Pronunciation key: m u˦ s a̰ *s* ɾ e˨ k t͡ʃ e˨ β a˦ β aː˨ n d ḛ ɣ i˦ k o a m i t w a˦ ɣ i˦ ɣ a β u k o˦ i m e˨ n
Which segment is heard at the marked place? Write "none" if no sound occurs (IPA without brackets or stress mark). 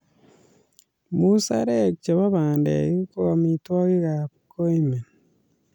none